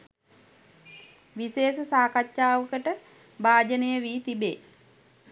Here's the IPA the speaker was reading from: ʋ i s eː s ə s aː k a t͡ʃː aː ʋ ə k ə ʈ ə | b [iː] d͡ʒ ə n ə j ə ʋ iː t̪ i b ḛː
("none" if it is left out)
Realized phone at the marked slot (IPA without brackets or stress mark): aː